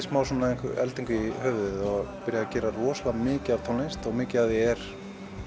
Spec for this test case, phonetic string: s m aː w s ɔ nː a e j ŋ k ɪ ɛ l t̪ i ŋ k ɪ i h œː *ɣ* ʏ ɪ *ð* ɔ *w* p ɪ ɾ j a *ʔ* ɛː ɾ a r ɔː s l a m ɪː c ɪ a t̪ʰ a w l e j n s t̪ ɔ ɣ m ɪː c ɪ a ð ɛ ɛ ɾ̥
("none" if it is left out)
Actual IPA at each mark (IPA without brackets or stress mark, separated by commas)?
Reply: v, ð, ɣ, c